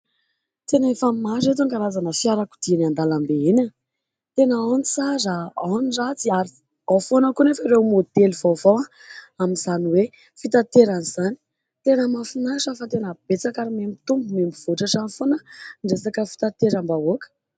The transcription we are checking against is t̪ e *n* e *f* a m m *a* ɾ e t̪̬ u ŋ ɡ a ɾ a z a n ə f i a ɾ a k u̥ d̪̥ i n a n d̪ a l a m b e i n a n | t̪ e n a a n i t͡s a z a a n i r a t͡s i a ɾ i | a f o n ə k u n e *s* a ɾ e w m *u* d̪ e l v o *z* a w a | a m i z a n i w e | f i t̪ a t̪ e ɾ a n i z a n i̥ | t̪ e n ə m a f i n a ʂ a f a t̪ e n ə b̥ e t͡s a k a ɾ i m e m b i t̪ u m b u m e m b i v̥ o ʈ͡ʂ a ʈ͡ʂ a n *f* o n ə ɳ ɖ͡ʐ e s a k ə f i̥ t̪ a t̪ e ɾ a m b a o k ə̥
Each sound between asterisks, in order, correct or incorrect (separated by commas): correct, correct, correct, incorrect, incorrect, incorrect, correct